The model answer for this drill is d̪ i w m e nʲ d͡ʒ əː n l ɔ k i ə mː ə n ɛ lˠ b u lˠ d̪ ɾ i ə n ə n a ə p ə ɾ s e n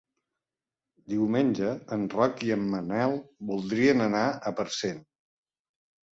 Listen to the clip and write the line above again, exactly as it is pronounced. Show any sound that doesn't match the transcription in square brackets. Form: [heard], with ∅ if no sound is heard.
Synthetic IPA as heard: d̪ i w m e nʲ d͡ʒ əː n [r] ɔ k i ə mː ə n ɛ lˠ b u lˠ d̪ ɾ i ə n ə n a ə p ə ɾ s e n